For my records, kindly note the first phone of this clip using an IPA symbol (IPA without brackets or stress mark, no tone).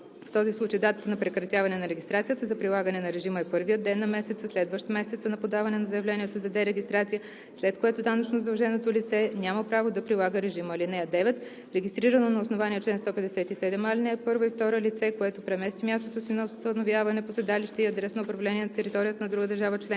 f